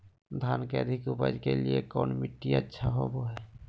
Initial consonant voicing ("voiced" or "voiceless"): voiced